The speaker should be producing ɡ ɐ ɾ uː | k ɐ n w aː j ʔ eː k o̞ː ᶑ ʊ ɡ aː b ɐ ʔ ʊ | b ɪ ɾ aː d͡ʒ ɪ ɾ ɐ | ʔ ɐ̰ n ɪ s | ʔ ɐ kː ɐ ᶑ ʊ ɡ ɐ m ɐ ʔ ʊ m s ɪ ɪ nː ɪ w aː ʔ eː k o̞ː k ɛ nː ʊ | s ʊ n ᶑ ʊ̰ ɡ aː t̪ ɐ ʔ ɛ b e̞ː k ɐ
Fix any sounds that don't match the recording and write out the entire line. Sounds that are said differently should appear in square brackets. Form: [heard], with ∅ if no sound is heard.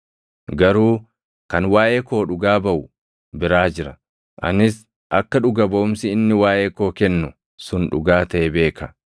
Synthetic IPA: ɡ ɐ ɾ uː | k ɐ n w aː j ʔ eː k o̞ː ᶑ ʊ ɡ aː b ɐ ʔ ʊ | b ɪ ɾ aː d͡ʒ ɪ ɾ ɐ | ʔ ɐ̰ n ɪ s | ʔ ɐ kː ɐ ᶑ ʊ ɡ ɐ [b] ɐ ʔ ʊ m s ɪ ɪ nː ɪ w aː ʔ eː k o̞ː k ɛ nː ʊ | s ʊ n ᶑ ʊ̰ ɡ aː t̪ ɐ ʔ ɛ b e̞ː k ɐ